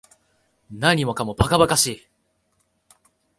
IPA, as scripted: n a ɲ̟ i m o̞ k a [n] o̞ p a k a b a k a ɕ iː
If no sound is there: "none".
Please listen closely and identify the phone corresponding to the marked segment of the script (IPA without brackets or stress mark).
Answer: m